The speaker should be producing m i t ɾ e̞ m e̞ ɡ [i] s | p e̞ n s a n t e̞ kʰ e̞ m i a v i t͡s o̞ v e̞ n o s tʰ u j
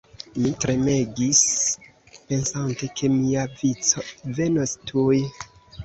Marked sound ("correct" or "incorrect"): correct